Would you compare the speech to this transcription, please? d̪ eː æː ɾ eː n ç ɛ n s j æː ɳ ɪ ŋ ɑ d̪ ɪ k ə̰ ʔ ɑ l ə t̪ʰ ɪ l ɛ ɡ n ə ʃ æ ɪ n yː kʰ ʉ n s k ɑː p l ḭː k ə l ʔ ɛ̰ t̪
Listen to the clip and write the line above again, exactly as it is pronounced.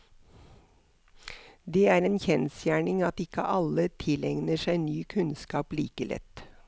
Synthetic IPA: d̪ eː æː ɾ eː n ç ɛ n s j æː ɳ ɪ ŋ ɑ t̪ ɪ k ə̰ ʔ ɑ l ə t̪ʰ ɪ l ɛ ŋ n ə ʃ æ ɪ n yː kʰ ʉ n s k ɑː p l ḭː k ə l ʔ ɛ̰ t̪